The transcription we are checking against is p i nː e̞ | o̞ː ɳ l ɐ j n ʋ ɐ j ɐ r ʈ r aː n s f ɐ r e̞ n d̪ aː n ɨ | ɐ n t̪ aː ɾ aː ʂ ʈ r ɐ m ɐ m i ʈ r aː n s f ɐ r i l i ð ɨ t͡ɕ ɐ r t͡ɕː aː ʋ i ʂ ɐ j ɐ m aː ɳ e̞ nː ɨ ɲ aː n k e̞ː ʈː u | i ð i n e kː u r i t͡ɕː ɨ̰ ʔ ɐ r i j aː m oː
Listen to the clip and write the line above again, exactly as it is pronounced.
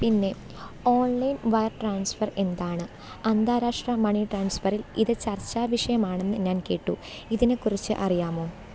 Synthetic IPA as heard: p i nː e̞ | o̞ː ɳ l ɐ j n ʋ ɐ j ɐ r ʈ r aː n s f ɐ r e̞ n d̪ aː ɳ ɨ | ɐ n d̪ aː ɾ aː ʂ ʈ r ɐ m ɐ ɳ i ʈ r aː n s f ɐ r i l i ð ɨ t͡ɕ ɐ r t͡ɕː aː ʋ i ʂ ɐ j ɐ m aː ɳ e̞ nː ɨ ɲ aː n k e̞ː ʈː u | i ð i n e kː u r i t͡ɕː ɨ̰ ʔ ɐ r i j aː m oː